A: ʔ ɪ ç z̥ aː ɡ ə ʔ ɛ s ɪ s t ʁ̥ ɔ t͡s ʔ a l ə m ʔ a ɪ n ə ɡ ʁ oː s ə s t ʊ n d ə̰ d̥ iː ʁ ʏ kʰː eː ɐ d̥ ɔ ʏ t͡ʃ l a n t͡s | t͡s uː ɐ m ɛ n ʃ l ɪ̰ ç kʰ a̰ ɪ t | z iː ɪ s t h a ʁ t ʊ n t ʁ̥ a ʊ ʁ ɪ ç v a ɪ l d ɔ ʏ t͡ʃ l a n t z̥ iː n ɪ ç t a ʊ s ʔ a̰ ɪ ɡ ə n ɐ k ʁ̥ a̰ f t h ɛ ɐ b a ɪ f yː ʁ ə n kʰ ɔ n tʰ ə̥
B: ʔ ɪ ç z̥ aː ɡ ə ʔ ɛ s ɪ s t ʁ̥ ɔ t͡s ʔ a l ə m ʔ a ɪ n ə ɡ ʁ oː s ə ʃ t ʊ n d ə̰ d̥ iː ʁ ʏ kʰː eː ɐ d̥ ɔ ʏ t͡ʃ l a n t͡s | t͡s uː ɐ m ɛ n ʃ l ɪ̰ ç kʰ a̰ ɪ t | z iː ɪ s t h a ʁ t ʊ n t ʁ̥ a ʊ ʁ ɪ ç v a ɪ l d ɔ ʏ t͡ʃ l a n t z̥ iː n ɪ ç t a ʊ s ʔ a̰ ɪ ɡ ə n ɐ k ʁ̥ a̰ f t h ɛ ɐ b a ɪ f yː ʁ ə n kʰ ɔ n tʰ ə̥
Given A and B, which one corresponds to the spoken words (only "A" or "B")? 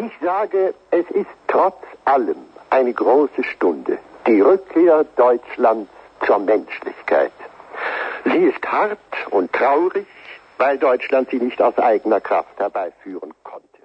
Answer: B